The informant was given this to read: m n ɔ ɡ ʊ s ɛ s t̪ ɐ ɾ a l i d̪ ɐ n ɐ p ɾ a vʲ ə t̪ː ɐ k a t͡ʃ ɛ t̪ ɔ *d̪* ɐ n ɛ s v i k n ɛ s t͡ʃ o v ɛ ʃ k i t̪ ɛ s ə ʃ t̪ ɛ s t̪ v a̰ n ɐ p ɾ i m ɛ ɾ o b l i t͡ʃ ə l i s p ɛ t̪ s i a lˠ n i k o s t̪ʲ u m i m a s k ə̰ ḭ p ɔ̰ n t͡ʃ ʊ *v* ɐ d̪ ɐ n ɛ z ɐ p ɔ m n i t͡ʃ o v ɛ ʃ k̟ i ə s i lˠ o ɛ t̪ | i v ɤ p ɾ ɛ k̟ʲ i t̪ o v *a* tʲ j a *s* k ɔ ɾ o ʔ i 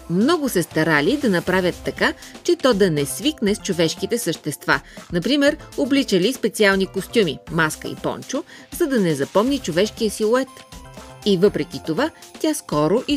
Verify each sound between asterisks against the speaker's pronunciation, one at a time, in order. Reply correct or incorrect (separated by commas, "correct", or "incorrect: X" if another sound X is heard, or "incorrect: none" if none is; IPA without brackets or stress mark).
correct, incorrect: z, correct, correct